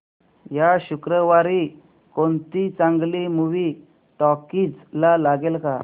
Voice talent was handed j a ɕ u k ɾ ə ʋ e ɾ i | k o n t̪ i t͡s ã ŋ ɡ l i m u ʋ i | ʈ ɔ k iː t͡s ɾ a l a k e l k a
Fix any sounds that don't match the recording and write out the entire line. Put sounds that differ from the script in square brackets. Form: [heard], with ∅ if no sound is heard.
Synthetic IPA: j a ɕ u k ɾ ə ʋ [a] ɾ i | k o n t̪ i t͡s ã ŋ ɡ l i m u ʋ i | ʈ ɔ k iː t͡s [l] a l a [ɡ] e l k a